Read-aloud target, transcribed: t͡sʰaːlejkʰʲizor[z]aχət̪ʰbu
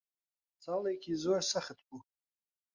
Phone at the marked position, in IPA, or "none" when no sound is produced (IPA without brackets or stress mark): s